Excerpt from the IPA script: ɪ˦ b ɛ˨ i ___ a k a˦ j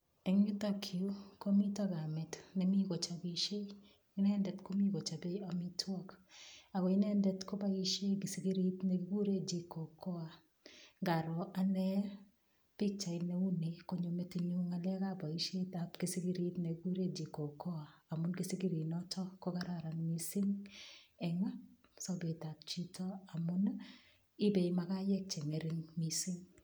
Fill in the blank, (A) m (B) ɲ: A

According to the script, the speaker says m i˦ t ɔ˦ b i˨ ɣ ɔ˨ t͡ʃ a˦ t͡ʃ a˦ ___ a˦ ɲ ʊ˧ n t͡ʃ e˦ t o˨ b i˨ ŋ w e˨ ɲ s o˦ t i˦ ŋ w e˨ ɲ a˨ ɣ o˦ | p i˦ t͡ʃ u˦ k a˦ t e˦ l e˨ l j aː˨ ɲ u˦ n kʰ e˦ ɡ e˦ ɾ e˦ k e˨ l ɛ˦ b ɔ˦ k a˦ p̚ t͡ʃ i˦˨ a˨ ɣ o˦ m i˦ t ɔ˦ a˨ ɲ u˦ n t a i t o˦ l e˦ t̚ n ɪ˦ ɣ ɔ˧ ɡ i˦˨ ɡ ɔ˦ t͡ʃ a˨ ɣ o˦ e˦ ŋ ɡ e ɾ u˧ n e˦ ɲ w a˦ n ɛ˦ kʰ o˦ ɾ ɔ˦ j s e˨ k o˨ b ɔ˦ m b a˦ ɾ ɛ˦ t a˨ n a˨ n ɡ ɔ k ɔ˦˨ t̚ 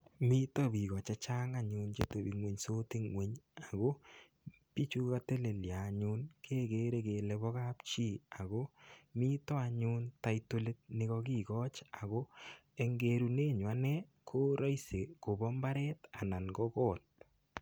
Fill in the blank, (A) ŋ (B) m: A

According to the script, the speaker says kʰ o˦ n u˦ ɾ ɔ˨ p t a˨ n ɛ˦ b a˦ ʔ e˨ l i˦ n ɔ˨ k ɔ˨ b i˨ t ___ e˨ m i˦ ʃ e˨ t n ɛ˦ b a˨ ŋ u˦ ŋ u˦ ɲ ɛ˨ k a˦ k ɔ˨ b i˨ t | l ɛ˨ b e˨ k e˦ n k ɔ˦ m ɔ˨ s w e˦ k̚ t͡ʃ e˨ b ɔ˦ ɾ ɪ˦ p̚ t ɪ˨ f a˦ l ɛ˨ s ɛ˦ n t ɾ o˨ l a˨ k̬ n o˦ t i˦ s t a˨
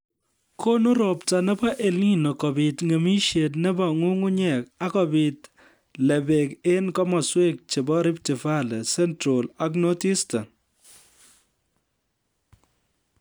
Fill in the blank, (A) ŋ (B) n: A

